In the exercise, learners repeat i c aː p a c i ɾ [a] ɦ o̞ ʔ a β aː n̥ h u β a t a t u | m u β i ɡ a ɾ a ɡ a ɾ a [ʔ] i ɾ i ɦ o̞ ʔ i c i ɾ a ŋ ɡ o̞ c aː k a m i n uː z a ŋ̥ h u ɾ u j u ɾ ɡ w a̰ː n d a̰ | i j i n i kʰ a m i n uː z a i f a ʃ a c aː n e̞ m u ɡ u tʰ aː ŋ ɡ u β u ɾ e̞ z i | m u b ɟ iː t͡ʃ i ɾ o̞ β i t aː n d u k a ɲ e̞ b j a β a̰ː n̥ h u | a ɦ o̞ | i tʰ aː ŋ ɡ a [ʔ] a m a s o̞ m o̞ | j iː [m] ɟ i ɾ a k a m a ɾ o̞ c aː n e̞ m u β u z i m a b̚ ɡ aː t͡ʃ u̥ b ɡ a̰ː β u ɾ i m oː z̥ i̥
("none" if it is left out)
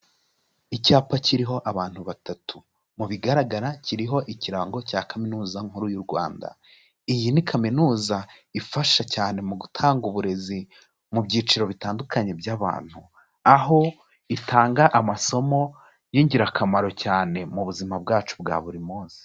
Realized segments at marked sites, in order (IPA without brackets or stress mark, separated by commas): i, c, ʔ, ɲ